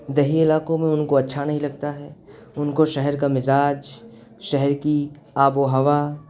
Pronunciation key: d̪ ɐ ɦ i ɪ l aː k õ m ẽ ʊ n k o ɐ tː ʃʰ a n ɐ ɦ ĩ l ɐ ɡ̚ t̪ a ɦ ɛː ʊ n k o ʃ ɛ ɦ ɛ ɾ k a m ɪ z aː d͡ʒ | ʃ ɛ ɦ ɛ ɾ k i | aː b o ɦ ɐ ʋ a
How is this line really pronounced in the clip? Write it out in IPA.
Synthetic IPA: d̪ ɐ ɦ i ɪ l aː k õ m ẽ ʊ n k o ɐ tː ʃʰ a n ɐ ɦ ĩ l ɐ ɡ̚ t̪ a ɦ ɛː ʊ n k o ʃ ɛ ɦ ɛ ɾ k a m ɪ z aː d͡ʒ | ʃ ɛ ɦ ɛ ɾ k i | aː b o ɦ ɐ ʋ a